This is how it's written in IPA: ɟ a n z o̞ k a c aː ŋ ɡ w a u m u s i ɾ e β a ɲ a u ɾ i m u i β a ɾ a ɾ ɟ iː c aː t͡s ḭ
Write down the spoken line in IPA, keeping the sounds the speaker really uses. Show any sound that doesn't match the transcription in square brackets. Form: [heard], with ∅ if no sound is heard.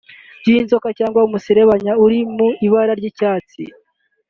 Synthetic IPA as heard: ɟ [i] n z o̞ k a c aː ŋ ɡ w a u m u s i ɾ e β a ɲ a u ɾ i m u i β a ɾ a ɾ ɟ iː c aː t͡s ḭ